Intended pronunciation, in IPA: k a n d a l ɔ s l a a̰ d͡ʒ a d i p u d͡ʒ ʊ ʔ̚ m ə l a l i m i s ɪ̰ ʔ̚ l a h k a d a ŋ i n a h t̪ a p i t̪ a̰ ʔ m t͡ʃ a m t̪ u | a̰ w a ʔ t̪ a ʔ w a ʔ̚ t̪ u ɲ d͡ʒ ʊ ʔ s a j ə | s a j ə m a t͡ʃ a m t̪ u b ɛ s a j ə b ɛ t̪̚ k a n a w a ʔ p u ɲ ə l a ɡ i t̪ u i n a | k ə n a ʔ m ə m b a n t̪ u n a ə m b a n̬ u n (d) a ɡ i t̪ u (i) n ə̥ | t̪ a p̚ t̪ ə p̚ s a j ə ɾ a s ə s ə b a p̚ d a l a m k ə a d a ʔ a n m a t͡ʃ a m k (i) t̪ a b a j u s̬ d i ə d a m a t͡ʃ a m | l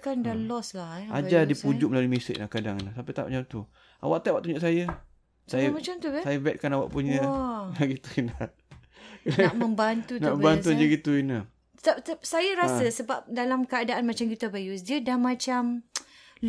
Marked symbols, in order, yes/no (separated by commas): no, yes, yes